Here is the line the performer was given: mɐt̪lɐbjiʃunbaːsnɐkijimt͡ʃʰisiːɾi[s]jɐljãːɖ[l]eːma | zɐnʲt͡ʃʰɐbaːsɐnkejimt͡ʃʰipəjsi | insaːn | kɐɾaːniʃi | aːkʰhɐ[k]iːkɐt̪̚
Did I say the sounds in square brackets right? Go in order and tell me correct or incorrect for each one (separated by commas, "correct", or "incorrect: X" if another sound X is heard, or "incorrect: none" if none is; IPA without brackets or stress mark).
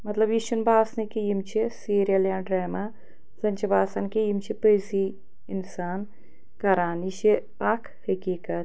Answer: incorrect: none, incorrect: ɾ, correct